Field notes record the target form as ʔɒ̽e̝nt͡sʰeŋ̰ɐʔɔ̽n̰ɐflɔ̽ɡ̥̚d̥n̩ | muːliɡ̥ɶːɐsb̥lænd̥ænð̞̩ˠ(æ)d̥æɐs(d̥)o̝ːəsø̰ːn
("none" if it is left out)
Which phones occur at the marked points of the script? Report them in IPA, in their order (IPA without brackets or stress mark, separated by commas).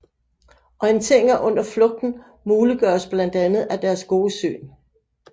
æ, ɡ̥